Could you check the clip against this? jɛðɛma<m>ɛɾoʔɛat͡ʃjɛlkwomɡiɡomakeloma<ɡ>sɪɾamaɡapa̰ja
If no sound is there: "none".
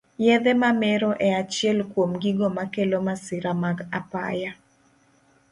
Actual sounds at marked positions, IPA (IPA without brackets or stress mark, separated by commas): m, none